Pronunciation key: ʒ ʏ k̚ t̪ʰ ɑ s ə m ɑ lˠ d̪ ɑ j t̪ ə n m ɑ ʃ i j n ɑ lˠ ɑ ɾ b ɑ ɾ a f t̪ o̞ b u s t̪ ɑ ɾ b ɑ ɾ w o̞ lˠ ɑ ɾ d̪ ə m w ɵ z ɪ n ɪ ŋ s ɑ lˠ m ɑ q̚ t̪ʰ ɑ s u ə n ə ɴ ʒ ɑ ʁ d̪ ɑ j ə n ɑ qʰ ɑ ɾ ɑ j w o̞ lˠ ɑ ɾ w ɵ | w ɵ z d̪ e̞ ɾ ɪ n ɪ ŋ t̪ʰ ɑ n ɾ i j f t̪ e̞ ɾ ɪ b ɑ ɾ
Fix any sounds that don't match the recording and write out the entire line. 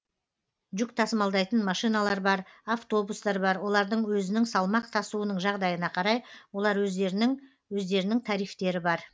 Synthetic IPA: ʒ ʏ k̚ t̪ʰ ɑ s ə m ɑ lˠ d̪ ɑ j t̪ ə n m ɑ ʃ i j n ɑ lˠ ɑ ɾ b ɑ ɾ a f t̪ o̞ b u s t̪ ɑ ɾ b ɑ ɾ w o̞ lˠ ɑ ɾ d̪ ə ɴ w ɵ z ɪ n ɪ ŋ s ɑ lˠ m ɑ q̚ t̪ʰ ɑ s u ə n ə ɴ ʒ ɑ ʁ d̪ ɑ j ə n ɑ qʰ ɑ ɾ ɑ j w o̞ lˠ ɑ ɾ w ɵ | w ɵ z d̪ e̞ ɾ ɪ n ɪ ŋ t̪ʰ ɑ ɾ i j f t̪ e̞ ɾ ɪ b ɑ ɾ